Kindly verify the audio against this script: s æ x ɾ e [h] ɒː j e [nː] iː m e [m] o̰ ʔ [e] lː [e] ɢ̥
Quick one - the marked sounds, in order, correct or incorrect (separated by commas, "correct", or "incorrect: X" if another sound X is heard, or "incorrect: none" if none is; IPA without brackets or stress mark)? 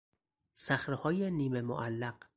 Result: correct, incorrect: n, correct, incorrect: æ, incorrect: æ